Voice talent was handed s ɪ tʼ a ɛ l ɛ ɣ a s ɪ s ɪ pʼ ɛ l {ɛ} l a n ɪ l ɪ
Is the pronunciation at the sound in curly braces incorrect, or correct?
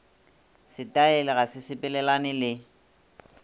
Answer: correct